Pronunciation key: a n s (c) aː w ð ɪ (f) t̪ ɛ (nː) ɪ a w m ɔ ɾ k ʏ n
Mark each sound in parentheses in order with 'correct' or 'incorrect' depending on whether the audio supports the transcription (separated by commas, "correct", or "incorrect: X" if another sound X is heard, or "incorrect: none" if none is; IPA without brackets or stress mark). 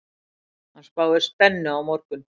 incorrect: p, incorrect: s, correct